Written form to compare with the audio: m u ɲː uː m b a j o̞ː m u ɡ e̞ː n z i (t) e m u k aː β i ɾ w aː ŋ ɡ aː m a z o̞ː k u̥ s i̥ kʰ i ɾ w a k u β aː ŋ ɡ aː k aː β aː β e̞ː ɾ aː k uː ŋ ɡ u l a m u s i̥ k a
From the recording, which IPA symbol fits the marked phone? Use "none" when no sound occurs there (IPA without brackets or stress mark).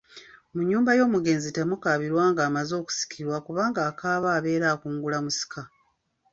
t